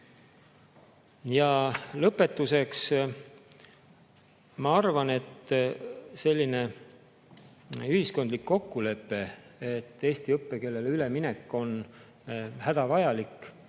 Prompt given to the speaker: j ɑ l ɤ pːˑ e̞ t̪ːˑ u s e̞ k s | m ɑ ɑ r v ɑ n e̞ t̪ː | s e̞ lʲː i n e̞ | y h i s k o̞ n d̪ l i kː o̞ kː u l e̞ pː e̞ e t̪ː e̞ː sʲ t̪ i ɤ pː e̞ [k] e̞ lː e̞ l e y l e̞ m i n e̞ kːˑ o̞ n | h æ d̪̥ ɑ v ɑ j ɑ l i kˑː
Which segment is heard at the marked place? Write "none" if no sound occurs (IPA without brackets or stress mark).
k